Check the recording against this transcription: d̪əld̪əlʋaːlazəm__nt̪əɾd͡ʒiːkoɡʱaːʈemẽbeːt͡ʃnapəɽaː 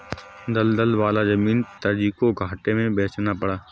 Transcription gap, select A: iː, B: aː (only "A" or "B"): A